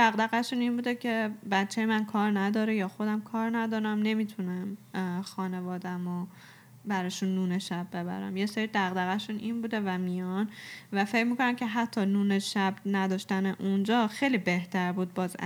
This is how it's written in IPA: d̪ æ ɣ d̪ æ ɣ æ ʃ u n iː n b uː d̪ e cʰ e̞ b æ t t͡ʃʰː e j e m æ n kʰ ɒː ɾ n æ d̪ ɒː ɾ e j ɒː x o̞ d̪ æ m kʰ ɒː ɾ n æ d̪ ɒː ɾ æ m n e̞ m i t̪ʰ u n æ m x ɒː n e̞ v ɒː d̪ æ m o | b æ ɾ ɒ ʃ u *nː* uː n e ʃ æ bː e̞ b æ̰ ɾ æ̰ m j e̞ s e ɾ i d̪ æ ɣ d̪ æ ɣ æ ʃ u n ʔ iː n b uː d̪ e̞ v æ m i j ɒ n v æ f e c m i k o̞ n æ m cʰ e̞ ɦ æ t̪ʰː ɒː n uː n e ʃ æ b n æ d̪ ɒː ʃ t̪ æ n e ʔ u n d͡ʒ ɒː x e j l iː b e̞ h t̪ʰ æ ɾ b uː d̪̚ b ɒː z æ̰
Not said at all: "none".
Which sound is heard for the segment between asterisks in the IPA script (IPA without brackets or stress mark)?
nː